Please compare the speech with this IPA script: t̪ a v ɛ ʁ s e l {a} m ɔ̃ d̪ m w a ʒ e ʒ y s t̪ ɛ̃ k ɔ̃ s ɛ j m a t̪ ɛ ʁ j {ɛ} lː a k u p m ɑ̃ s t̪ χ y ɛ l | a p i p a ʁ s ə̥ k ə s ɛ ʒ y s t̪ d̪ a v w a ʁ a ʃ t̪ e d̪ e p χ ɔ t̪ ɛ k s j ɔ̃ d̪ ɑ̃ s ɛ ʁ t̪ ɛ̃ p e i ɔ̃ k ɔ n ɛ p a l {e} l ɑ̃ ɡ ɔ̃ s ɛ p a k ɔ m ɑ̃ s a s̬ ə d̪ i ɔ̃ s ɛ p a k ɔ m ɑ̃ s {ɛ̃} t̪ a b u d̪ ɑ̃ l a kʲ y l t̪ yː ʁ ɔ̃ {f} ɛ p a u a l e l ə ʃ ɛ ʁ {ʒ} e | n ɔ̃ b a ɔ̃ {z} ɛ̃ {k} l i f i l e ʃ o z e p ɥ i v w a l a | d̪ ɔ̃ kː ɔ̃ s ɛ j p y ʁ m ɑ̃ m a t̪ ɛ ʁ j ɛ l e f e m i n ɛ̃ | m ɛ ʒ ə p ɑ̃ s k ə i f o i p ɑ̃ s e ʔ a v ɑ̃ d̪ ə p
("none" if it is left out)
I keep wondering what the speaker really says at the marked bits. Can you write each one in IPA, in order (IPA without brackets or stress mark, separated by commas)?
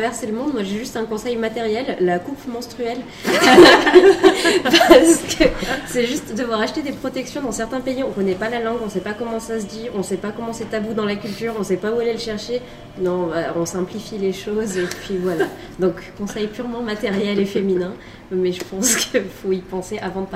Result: ə, ɛ, a, ɛ, s, ʃ, s, p